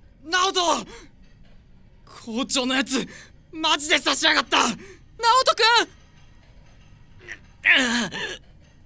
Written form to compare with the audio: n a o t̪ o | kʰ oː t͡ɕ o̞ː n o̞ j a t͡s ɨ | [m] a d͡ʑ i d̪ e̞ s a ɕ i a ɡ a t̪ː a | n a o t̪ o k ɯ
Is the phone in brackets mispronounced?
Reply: no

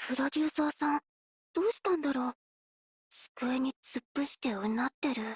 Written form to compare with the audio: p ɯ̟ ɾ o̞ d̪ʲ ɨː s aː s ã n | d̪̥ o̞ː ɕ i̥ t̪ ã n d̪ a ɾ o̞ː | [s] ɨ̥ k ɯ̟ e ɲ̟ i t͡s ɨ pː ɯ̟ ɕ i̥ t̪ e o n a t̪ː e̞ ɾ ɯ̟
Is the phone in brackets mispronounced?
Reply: no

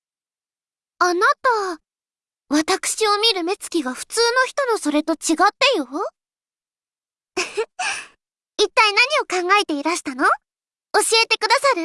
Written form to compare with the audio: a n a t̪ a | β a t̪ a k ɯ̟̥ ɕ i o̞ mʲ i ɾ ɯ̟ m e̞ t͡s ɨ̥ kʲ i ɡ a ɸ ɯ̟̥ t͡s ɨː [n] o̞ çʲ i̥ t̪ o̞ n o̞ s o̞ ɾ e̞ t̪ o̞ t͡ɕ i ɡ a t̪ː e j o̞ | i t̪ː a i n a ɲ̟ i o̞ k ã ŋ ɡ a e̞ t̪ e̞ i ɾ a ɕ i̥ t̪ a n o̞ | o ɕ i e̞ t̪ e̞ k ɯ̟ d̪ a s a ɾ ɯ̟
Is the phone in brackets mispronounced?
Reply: no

